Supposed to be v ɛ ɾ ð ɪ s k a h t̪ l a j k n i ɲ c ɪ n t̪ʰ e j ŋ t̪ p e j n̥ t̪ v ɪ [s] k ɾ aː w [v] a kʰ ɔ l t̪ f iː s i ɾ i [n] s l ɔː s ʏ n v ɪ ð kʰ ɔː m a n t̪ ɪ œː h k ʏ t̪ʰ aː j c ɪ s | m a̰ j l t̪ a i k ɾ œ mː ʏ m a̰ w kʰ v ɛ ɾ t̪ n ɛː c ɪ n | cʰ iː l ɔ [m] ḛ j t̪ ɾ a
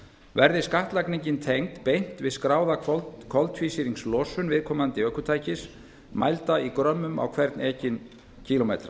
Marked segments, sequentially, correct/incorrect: correct, incorrect, incorrect, correct

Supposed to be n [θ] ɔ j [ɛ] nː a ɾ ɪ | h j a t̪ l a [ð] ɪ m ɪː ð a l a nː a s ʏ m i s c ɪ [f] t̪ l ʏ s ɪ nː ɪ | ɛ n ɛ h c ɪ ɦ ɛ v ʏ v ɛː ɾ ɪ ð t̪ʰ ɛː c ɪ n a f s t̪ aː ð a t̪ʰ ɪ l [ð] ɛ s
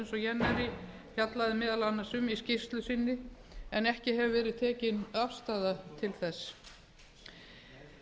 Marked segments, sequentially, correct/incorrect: incorrect, correct, correct, incorrect, incorrect

